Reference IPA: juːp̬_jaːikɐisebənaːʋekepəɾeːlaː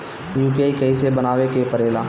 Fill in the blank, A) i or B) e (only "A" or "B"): A